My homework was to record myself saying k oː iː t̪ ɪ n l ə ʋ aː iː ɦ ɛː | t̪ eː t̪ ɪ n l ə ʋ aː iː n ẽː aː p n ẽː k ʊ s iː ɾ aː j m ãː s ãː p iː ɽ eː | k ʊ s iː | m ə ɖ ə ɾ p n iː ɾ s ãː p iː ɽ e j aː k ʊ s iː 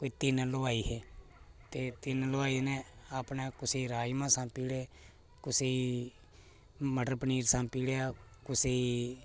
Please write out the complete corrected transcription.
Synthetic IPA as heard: k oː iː t̪ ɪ n l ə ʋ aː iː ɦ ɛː | t̪ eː t̪ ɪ n l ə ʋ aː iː n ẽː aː p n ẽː k ʊ s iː ɾ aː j m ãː s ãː p iː ɽ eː | k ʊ s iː | m ə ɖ ə ɾ p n iː ɾ s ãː p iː ɽ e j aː k ʊ s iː